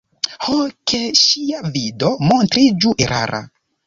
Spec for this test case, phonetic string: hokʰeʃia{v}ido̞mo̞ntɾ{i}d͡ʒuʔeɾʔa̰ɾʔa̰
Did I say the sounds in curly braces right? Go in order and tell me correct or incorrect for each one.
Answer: correct, correct

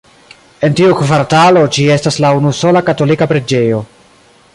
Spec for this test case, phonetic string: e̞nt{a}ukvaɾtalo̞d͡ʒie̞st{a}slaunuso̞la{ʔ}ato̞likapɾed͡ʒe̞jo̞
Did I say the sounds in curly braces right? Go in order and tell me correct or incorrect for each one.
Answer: incorrect: i, correct, incorrect: k

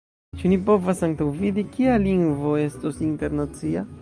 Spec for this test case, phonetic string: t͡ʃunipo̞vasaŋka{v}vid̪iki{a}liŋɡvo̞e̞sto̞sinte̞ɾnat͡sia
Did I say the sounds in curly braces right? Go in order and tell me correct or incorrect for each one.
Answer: incorrect: w, correct

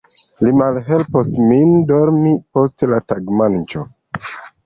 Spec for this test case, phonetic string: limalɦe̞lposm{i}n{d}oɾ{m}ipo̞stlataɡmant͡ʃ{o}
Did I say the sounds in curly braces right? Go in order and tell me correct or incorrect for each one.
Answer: correct, correct, correct, correct

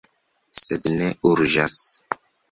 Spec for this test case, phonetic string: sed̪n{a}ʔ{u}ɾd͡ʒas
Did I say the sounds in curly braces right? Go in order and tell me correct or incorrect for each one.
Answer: incorrect: e, correct

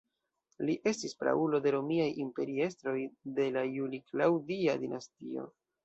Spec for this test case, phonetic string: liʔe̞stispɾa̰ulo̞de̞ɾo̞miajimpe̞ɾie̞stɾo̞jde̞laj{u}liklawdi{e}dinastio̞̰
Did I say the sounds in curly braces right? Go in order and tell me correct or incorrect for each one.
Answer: correct, incorrect: a

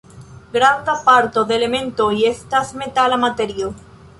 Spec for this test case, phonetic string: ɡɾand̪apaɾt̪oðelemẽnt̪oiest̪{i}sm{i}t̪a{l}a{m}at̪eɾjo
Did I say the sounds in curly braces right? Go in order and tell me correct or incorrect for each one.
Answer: incorrect: a, incorrect: e, correct, correct

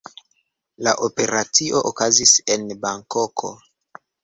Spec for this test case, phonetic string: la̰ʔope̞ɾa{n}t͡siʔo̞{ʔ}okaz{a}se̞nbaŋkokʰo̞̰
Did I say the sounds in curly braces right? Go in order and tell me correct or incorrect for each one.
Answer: incorrect: none, correct, incorrect: i

